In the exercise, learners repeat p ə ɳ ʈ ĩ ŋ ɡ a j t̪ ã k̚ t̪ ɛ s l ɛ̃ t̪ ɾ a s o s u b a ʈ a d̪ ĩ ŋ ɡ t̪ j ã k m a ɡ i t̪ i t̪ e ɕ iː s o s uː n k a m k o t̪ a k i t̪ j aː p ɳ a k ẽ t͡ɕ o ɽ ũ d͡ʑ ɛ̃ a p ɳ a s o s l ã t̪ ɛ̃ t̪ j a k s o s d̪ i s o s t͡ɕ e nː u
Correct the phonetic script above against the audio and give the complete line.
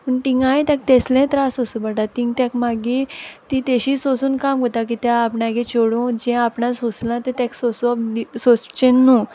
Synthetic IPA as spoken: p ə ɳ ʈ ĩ ŋ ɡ a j t̪ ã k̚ t̪ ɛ s l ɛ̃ t̪ ɾ a s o s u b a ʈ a t̪ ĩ ŋ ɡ t̪ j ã k m a ɡ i t̪ i t̪ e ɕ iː s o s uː n k a m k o t̪ a k i t̪ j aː p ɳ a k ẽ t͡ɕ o ɽ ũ d͡ʑ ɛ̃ a p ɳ a s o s l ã t̪ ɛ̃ t̪ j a k s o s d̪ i s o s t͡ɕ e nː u